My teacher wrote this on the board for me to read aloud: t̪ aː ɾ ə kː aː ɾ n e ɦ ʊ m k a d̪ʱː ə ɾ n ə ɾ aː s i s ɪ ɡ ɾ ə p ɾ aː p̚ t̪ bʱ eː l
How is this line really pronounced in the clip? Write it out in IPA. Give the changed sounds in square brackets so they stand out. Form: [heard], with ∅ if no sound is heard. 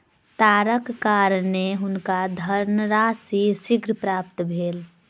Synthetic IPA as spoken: t̪ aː ɾ ə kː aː ɾ n e ɦ ʊ [n] k a [d̪ʱ] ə ɾ n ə ɾ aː s i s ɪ ɡ ɾ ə p ɾ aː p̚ t̪ bʱ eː l